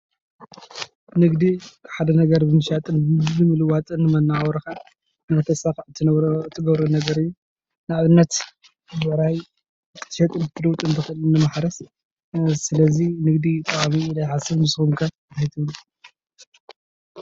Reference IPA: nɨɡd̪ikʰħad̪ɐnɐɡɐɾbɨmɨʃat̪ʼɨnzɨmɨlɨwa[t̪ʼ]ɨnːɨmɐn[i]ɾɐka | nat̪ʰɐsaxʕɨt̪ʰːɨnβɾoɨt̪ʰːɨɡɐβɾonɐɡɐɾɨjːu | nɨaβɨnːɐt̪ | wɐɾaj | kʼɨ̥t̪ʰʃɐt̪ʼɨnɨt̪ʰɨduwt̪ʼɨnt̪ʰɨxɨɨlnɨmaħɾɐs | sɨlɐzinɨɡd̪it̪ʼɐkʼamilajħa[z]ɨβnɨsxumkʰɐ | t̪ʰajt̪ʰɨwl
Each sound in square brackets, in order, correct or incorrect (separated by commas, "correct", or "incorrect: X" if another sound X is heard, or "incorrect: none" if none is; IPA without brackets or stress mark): correct, incorrect: a, incorrect: s